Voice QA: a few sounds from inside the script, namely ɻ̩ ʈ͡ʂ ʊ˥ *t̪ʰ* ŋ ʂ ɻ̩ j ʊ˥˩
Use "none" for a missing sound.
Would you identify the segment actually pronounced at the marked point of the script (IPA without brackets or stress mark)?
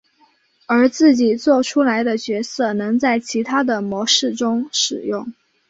none